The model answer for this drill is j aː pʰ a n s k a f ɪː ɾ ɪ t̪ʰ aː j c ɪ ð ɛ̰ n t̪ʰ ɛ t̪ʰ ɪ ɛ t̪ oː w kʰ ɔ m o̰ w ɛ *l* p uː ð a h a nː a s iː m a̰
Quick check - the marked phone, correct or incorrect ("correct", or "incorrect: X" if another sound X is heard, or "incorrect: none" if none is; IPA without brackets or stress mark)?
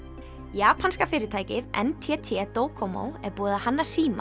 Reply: incorrect: ɾ